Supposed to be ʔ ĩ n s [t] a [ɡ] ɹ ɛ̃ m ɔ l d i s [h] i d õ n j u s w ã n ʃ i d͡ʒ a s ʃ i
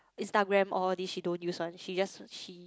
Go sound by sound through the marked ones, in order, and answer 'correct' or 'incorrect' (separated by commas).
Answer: correct, correct, incorrect